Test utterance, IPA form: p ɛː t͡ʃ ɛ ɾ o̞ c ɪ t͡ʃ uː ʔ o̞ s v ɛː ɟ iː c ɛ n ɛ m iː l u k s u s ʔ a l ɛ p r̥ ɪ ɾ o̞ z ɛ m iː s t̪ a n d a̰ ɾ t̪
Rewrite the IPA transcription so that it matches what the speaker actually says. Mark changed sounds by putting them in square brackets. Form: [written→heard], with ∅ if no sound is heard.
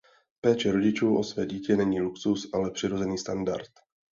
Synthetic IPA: p ɛː t͡ʃ ɛ ɾ o̞ [c→ɟ] ɪ t͡ʃ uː ʔ o̞ s v ɛː ɟ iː c ɛ n ɛ [m→ɲ] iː l u k s u s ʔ a l ɛ p r̥ ɪ ɾ o̞ z ɛ [m→n] iː s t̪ a n d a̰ ɾ t̪